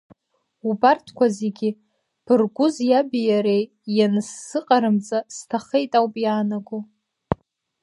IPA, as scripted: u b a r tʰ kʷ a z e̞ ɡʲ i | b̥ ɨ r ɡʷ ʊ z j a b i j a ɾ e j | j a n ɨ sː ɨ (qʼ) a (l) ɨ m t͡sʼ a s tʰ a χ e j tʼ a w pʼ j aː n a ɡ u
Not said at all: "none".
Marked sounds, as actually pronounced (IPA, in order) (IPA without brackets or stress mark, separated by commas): qʼ, ɾ